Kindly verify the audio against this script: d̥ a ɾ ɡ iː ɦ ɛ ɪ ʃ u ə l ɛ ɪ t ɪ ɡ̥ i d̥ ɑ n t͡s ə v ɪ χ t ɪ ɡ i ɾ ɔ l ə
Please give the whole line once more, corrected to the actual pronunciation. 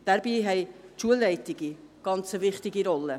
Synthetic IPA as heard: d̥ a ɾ b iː ɦ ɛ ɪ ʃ u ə l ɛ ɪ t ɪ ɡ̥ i ɡ̥ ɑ n t͡s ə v ɪ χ t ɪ ɡ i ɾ ɔ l ə